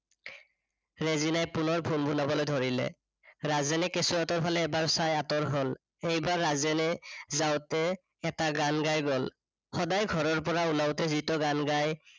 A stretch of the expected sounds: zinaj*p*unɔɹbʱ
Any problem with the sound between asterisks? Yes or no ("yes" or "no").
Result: no